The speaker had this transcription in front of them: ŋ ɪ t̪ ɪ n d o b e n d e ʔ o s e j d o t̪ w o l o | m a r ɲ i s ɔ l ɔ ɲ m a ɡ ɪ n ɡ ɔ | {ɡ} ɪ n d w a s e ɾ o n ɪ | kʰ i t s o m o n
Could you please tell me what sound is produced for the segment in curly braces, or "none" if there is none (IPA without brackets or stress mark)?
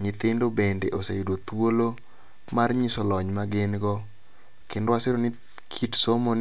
k